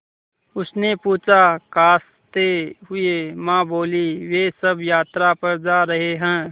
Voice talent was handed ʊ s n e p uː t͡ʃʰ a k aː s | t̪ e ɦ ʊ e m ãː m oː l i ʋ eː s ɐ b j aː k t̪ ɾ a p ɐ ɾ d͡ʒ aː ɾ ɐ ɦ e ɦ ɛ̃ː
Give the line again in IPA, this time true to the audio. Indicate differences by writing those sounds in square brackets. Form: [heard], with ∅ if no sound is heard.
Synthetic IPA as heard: ʊ s n e p uː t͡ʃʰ a k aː s | t̪ e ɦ ʊ e m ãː [b] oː l i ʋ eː s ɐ b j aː [∅] t̪ ɾ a p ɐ ɾ d͡ʒ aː ɾ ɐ ɦ e ɦ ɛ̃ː